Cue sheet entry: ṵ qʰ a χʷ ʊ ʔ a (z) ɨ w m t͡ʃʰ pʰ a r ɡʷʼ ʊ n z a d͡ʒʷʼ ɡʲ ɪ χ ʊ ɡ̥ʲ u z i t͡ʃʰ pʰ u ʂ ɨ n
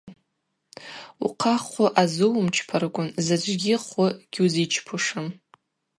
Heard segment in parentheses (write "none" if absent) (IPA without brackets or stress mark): z